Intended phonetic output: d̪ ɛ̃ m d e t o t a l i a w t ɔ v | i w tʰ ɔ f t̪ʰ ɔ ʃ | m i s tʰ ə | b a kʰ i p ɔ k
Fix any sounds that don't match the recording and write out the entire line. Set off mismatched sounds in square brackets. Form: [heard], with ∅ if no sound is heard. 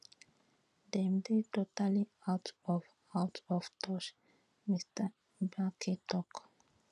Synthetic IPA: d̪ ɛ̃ m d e t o t a l i a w t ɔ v | [a] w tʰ ɔ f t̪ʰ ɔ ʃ | m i s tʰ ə | b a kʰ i [t] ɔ k